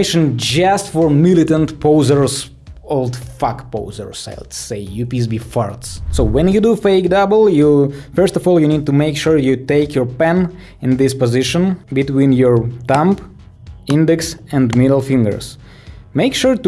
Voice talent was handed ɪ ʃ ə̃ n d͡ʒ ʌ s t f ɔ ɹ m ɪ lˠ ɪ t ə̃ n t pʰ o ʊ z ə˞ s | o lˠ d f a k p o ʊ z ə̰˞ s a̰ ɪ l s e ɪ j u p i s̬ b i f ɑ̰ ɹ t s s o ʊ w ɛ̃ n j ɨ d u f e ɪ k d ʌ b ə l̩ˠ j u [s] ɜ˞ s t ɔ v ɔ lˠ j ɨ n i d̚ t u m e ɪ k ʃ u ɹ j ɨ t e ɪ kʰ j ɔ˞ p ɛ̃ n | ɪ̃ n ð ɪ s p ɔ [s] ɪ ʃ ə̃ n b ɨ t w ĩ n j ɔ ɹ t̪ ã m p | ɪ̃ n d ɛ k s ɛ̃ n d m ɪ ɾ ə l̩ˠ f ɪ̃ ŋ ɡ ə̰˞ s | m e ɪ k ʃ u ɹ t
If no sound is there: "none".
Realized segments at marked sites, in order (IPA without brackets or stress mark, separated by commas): f, z